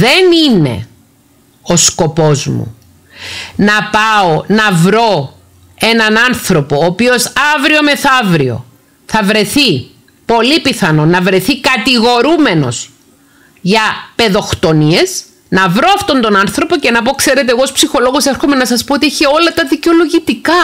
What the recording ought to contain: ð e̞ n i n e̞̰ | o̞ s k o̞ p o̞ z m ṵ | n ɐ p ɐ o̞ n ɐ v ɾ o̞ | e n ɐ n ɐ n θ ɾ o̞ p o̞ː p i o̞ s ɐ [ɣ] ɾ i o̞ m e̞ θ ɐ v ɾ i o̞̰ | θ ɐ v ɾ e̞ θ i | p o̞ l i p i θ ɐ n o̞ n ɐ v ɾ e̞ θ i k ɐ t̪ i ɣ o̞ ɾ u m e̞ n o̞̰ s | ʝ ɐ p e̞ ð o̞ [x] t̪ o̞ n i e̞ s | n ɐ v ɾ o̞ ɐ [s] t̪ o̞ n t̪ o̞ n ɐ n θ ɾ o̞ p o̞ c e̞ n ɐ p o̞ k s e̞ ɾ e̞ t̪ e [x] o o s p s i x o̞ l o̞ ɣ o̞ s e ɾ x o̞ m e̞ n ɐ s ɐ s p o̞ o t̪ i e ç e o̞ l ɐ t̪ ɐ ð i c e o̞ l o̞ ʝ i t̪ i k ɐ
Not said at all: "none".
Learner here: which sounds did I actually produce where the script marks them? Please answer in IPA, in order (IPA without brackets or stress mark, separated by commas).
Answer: v, x, f, ɣ